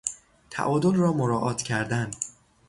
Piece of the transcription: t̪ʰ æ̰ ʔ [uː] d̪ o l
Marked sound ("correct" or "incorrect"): incorrect